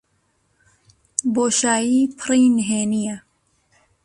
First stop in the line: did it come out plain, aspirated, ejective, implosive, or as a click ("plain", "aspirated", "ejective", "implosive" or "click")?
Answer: plain